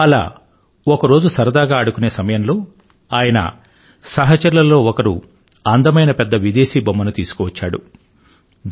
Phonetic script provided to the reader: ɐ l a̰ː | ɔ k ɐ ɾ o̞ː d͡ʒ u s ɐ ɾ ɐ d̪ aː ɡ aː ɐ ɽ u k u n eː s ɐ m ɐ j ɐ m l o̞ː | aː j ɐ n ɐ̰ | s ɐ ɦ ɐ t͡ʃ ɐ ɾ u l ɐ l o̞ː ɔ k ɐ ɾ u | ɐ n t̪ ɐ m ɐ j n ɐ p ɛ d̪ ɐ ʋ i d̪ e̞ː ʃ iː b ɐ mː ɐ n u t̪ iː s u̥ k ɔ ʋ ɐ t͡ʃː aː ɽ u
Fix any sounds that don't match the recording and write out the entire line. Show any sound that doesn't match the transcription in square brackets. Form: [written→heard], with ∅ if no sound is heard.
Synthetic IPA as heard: ɐ l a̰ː | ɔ k ɐ ɾ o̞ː d͡ʒ u s ɐ ɾ ɐ d̪ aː ɡ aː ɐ ɽ u k u n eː s ɐ m ɐ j ɐ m l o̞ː | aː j ɐ n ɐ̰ | s ɐ ɦ ɐ t͡ʃ ɐ ɾ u l ɐ l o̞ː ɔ k ɐ ɾ u | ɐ n [t̪→d̪] ɐ m ɐ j n ɐ p ɛ [d̪→d̪ː] ɐ ʋ i d̪ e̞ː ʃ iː b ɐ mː ɐ n u t̪ iː s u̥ k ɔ ʋ ɐ t͡ʃː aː ɽ u